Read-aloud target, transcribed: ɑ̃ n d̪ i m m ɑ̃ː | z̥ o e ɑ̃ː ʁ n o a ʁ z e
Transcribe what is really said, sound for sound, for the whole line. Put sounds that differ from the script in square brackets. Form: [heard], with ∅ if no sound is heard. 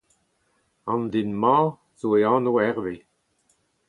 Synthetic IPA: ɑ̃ n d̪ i [n] m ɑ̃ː | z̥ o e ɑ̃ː [∅] n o [ɛ] ʁ [v] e